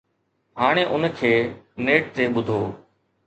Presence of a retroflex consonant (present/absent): present